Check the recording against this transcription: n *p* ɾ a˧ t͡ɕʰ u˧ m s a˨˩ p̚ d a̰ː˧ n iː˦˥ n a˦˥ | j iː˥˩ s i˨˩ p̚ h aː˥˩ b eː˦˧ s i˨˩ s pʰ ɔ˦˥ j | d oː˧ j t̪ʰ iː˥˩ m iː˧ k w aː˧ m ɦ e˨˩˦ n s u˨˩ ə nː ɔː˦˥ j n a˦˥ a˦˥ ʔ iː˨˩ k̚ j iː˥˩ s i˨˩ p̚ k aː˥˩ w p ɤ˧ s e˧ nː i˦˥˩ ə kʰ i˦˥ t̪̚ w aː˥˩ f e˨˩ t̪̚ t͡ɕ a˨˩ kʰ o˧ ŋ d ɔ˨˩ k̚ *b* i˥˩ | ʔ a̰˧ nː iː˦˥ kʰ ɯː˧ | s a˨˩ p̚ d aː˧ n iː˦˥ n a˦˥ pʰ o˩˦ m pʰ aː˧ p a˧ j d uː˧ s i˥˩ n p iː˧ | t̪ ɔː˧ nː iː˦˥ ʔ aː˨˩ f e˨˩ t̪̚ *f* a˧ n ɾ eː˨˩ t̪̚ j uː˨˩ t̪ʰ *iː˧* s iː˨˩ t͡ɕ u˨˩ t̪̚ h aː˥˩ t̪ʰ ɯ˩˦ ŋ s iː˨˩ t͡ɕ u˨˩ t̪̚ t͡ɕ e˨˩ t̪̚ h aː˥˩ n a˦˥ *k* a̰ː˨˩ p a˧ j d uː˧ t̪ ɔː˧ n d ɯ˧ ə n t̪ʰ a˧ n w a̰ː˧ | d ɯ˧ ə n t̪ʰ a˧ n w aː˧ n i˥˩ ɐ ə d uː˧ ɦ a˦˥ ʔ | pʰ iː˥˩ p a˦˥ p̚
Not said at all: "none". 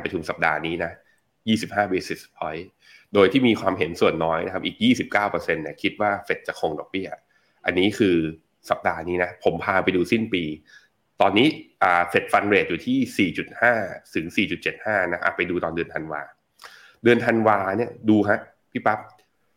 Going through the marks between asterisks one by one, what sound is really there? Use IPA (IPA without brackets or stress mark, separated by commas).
p, b, f, iː˥˩, ʔ